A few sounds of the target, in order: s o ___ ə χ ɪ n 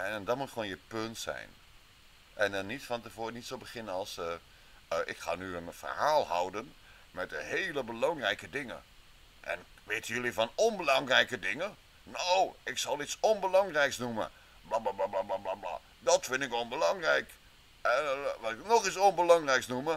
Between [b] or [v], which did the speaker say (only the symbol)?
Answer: b